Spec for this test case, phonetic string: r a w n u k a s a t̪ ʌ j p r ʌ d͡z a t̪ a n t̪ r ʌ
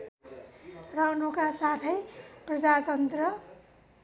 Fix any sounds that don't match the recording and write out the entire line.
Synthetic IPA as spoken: r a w n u k a s a t̪ʰ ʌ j p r ʌ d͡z a t̪ ʌ n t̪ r ʌ